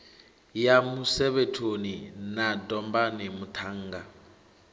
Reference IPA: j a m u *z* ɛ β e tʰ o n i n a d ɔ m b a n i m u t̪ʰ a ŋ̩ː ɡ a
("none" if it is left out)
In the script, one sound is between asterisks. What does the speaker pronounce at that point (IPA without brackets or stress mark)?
s